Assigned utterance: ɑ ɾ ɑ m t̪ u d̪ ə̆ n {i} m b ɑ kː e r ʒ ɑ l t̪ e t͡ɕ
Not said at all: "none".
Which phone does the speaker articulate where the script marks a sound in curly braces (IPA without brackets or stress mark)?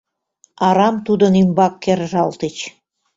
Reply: i